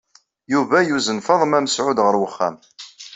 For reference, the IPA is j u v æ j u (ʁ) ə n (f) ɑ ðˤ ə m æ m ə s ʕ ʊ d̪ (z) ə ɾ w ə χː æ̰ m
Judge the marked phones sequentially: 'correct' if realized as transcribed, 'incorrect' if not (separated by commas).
incorrect, correct, incorrect